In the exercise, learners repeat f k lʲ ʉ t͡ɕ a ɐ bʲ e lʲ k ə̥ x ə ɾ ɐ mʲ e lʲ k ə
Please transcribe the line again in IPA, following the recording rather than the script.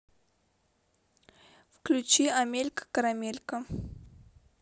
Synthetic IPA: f k lʲ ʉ t͡ɕ i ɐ mʲ e lʲ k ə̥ k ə ɾ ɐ mʲ e lʲ k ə